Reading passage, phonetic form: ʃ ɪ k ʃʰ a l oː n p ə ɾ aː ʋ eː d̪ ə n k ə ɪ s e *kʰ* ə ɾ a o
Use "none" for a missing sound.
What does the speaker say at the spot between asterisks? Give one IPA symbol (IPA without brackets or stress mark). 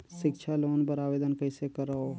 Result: k